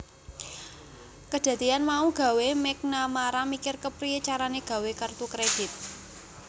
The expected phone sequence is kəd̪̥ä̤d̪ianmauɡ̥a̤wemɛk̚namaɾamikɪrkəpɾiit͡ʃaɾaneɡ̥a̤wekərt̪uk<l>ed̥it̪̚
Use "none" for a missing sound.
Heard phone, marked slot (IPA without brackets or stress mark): ɾ